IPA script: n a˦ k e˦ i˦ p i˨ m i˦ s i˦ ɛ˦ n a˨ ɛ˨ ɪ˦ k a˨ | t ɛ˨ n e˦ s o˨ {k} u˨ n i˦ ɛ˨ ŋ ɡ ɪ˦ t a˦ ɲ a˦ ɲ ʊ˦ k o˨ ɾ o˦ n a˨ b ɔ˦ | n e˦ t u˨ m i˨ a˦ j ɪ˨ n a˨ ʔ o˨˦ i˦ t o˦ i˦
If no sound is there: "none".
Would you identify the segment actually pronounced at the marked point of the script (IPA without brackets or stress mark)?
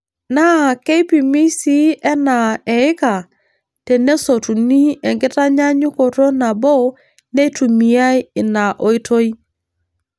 t